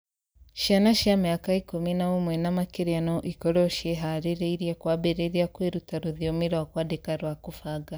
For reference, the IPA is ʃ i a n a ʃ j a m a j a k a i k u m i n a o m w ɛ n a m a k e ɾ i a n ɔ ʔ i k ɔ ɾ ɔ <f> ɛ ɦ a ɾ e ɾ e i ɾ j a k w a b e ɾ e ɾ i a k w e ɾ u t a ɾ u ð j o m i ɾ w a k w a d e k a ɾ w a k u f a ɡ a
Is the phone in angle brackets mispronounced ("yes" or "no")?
yes